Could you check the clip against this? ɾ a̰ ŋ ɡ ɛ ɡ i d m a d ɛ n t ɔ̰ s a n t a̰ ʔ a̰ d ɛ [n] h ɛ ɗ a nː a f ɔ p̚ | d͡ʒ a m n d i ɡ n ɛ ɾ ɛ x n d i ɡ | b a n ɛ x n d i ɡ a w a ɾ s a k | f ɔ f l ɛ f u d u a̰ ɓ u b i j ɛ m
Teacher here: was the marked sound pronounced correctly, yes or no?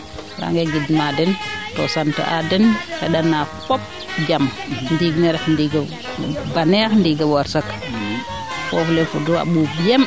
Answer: yes